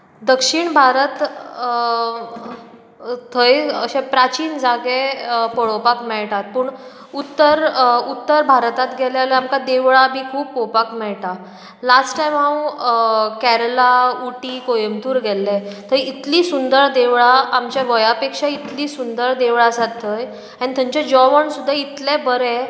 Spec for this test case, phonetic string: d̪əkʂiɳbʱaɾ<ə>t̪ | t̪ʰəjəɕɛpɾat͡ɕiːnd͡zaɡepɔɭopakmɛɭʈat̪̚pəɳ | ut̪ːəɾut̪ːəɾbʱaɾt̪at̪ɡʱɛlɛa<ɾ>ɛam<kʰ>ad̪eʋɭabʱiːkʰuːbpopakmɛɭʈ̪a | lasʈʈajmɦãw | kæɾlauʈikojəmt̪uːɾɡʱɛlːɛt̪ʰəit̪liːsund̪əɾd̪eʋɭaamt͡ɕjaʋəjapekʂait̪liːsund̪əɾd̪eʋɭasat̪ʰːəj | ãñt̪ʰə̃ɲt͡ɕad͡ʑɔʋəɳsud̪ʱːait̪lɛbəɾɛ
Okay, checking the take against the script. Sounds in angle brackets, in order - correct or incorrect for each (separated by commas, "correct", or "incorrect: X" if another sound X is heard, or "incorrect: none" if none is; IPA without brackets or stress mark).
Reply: correct, incorrect: l, incorrect: k